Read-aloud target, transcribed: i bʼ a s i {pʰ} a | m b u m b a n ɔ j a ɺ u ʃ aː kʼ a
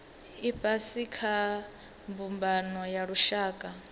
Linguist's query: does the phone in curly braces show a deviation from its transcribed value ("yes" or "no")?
yes